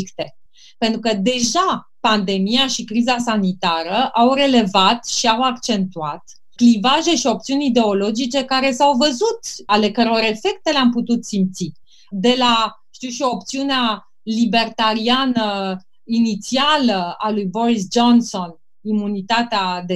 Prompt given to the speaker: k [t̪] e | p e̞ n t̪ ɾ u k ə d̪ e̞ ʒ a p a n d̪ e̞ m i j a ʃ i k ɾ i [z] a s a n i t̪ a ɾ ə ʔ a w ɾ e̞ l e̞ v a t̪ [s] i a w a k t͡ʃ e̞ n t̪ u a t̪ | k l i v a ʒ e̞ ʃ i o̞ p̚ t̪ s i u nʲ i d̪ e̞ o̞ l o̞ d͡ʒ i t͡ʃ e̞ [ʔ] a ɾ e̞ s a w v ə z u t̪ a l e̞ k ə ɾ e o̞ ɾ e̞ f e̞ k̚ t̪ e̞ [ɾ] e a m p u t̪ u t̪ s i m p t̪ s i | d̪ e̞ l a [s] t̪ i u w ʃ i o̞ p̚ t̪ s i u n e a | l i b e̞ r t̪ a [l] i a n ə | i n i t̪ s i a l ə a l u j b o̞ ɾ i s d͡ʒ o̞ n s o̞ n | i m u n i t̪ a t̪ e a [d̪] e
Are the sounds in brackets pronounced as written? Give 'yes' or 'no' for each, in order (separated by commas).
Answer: yes, yes, no, no, no, no, no, yes